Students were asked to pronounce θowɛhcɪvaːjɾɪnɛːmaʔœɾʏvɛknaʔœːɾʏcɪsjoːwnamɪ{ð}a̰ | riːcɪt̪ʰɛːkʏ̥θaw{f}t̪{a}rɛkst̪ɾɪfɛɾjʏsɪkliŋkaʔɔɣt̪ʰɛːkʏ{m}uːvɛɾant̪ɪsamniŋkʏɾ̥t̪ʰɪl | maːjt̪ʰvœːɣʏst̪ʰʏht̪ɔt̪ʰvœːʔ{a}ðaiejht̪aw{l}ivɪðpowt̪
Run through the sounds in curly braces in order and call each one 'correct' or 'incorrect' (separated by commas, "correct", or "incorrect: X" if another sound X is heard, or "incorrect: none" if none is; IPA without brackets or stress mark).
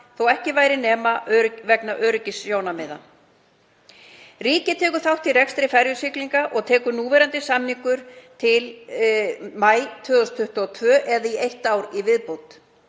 correct, incorrect: h, incorrect: i, incorrect: n, incorrect: ɛ, incorrect: ɾ